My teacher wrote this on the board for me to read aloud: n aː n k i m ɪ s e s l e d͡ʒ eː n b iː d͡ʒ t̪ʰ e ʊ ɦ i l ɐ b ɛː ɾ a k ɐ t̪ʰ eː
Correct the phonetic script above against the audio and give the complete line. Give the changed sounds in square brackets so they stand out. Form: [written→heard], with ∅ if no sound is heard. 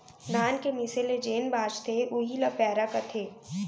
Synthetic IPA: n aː n k [i→e] m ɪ s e [s→∅] l e d͡ʒ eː n b [iː→aː] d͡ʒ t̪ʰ e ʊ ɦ i l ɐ [b→p] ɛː ɾ a k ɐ t̪ʰ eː